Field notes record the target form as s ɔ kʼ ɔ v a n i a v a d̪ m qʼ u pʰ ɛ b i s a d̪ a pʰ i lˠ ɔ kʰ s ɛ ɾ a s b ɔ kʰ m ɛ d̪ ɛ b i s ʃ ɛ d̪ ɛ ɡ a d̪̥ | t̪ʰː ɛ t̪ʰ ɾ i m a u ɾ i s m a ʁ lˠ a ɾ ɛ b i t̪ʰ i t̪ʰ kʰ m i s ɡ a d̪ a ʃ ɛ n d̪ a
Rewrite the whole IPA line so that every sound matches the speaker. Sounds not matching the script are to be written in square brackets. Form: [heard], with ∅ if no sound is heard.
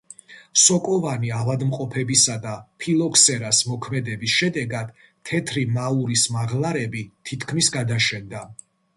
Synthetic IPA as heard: s ɔ kʼ ɔ v a n i a v a d̪ m qʼ [ɔ] pʰ ɛ b i s a d̪ a pʰ i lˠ ɔ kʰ s ɛ ɾ a s [m] ɔ kʰ m ɛ d̪ ɛ b i s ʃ ɛ d̪ ɛ ɡ a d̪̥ | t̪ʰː ɛ t̪ʰ ɾ i m a u ɾ i s m a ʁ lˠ a ɾ ɛ b i t̪ʰ i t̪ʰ kʰ m i s ɡ a d̪ a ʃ ɛ n d̪ a